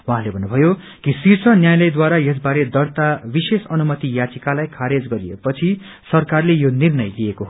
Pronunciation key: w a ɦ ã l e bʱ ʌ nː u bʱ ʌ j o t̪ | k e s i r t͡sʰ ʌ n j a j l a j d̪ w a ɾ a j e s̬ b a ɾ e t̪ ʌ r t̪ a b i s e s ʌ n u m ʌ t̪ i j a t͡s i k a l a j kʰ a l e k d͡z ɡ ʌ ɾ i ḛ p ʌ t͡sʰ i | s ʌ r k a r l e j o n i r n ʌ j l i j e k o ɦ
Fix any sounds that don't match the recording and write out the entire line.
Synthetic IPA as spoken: w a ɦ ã l e bʱ ʌ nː u bʱ ʌ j o | k i s i r t͡sʰ ʌ n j a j l ʌ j d̪ w a ɾ a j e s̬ b a ɾ e d̪ ʌ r t̪ a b i s e s ʌ n u m ʌ t̪ i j a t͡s i k a l a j kʰ a ɾ e d͡z ɡ ʌ ɾ i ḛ p ʌ t͡sʰ i | s ʌ r k a r l e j o n i r n ʌ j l i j e k o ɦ